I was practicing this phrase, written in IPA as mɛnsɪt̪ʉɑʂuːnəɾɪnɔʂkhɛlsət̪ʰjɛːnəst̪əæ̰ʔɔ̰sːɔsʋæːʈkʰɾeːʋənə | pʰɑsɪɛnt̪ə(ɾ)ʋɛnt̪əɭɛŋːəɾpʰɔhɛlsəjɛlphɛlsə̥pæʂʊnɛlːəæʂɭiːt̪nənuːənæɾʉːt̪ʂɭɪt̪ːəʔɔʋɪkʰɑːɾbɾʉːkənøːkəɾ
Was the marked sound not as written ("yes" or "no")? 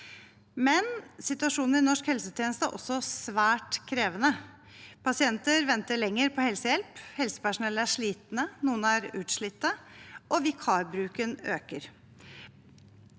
no